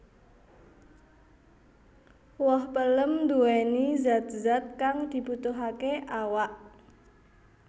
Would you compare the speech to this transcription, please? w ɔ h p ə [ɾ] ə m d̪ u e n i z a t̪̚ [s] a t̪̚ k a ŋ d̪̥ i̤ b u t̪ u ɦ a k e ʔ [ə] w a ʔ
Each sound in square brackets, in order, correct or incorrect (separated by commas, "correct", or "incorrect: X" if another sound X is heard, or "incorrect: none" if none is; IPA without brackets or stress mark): incorrect: l, incorrect: z, incorrect: a